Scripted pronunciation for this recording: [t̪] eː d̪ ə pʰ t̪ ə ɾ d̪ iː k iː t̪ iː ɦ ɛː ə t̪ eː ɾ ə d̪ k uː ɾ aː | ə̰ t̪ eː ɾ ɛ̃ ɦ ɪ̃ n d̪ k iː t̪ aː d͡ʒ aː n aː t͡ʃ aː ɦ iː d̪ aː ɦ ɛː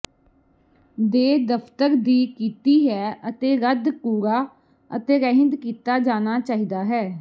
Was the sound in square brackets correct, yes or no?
no